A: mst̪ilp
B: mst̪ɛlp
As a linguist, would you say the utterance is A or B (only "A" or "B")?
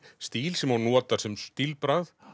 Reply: A